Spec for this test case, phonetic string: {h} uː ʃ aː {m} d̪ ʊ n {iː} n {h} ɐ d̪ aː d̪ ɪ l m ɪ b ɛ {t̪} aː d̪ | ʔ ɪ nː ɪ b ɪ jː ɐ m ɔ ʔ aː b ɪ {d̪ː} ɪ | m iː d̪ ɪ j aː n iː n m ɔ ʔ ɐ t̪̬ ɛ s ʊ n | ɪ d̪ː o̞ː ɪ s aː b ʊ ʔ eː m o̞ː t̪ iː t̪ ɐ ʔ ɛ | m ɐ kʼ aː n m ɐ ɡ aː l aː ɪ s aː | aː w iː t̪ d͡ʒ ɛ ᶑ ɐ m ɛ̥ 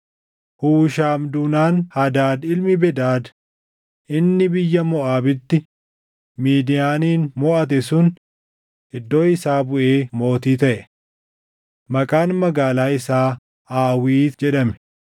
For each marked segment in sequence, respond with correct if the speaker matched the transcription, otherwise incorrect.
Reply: correct, correct, incorrect, correct, incorrect, incorrect

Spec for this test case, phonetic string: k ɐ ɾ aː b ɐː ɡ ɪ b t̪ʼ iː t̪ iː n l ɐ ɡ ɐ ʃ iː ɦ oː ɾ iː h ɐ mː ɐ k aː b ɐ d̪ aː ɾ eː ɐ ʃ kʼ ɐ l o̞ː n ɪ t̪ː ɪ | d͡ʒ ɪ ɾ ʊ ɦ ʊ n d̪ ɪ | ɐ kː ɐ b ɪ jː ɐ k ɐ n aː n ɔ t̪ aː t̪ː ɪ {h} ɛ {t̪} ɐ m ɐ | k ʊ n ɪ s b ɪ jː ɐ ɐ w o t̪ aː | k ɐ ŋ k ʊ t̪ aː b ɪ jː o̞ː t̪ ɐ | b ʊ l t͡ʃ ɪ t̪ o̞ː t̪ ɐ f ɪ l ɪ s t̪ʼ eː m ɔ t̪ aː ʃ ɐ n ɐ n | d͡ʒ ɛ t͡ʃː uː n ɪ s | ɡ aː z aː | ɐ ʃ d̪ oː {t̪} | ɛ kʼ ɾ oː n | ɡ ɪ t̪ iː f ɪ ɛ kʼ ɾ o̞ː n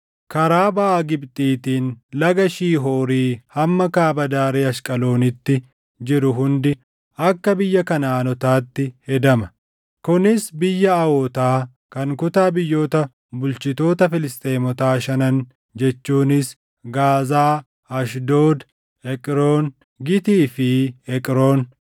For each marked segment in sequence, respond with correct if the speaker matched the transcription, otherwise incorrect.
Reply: correct, incorrect, incorrect

